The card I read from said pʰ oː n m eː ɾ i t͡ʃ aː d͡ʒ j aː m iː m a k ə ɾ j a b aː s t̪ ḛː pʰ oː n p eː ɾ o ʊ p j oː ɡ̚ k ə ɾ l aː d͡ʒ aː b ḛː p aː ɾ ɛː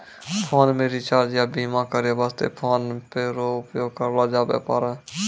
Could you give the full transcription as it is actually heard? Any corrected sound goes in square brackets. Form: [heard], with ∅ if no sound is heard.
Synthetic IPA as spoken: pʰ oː n m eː ɾ i t͡ʃ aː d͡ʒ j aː [b] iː m a k ə ɾ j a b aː s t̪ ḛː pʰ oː n p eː ɾ o ʊ p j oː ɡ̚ k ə ɾ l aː d͡ʒ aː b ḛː p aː ɾ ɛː